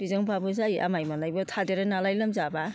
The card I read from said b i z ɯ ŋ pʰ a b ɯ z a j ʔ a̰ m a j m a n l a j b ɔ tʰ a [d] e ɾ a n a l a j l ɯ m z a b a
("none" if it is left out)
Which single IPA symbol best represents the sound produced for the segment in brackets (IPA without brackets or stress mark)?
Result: d